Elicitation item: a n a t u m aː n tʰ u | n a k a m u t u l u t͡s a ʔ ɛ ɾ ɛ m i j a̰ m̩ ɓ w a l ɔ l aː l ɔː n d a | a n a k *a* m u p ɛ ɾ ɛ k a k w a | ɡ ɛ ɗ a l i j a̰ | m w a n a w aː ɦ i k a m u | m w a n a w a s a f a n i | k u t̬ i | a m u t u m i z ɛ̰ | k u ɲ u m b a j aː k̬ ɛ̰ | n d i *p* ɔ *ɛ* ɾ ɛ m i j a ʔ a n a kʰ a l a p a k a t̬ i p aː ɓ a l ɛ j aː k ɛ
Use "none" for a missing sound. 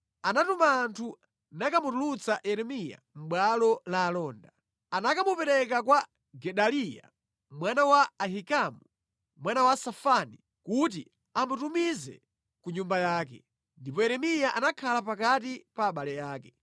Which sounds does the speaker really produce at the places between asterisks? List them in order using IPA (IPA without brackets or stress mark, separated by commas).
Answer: a, p, ɛ